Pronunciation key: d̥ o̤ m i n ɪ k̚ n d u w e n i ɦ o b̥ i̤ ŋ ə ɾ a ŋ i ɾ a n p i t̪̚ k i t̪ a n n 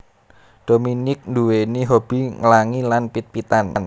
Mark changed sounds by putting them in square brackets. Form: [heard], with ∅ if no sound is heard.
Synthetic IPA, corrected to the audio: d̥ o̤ m i n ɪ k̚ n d u w e n i ɦ o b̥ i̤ ŋ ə [l] a ŋ i [l] a n p i t̪̚ [p] i t̪ a n n